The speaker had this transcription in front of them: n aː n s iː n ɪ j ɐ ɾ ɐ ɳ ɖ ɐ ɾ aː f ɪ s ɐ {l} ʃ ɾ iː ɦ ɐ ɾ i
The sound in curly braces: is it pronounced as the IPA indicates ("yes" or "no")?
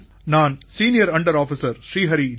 no